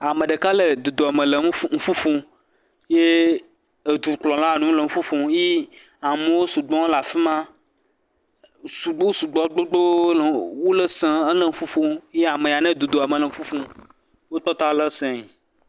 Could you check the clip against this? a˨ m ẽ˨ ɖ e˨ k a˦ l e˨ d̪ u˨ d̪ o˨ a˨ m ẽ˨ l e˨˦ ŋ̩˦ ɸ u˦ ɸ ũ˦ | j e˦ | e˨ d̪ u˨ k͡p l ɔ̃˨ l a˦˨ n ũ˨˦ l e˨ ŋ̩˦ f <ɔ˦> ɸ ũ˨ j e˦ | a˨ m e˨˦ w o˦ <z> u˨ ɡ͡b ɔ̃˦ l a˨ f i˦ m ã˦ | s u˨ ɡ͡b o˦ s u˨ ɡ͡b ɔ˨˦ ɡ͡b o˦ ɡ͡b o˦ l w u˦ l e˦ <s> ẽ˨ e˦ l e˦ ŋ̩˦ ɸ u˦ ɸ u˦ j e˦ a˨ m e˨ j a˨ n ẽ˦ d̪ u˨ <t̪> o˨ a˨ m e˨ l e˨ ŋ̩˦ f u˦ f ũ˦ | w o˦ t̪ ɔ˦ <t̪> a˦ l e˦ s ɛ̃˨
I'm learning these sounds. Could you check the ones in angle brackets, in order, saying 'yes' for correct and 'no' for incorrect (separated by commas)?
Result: no, no, yes, no, yes